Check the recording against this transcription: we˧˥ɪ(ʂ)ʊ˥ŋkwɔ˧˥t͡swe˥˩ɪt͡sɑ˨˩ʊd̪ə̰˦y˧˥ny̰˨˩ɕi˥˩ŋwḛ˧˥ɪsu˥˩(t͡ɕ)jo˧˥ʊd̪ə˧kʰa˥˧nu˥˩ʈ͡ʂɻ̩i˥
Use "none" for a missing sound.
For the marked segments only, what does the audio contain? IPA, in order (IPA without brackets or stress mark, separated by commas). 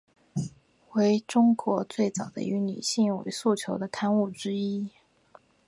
ʈ͡ʂ, t͡ɕʰ